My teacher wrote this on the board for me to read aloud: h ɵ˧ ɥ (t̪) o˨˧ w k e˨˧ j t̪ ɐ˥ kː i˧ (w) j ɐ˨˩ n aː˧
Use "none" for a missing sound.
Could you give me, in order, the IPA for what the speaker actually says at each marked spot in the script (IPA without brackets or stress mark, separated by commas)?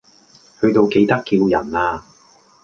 t̪, w